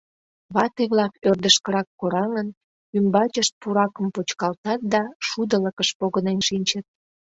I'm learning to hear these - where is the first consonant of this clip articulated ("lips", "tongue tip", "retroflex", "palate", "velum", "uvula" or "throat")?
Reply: lips